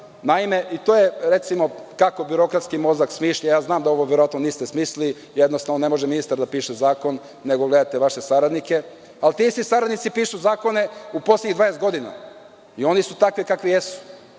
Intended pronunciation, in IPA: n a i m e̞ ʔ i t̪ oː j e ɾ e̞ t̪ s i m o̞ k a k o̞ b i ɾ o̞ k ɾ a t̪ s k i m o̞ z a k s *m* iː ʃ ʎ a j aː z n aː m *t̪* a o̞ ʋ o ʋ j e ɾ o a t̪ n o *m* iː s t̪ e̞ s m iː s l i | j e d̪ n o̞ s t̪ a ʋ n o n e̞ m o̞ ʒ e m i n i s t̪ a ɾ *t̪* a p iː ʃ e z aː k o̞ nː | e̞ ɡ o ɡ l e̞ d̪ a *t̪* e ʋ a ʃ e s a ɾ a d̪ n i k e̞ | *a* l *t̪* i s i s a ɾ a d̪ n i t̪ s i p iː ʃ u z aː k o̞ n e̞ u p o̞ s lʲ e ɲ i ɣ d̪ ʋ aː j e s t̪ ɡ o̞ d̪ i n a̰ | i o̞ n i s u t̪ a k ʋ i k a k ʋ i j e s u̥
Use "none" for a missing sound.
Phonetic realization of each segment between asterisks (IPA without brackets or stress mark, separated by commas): m, d̪, n, d̪, t̪, a, t̪